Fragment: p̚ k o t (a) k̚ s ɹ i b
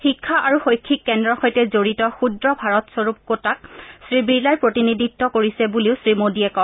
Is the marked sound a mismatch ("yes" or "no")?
no